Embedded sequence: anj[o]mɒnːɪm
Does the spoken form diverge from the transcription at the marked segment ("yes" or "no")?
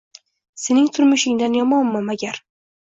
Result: yes